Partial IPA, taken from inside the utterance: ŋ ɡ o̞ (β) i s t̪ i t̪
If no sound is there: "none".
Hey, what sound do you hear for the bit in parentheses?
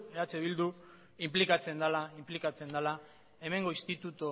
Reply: none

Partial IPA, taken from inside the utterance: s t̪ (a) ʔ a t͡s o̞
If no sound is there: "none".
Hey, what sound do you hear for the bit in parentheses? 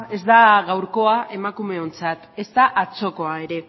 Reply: a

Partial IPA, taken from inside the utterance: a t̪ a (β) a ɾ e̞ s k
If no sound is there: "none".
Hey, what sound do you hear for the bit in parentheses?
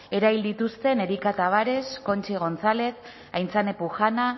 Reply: β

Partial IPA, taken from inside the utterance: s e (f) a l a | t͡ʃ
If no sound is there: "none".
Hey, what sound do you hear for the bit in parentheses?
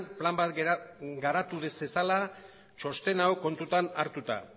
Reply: s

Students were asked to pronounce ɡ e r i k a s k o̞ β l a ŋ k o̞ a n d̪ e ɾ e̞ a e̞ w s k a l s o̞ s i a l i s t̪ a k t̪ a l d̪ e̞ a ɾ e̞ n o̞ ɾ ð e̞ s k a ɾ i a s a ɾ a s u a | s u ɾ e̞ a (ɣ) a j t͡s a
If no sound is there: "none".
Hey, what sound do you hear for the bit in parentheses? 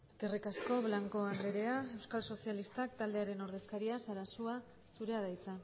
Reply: ð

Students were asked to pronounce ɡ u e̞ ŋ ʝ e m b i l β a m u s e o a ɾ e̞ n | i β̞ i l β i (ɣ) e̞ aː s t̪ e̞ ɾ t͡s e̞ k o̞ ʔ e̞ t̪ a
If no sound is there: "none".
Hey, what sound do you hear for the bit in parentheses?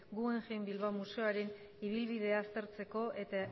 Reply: ð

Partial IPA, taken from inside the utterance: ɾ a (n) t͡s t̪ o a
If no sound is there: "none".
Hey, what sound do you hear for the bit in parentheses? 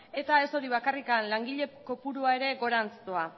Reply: n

